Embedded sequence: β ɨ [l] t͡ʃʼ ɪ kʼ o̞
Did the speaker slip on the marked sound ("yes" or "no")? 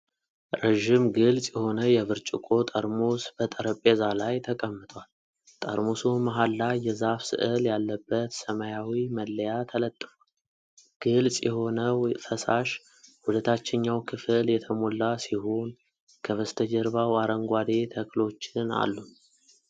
yes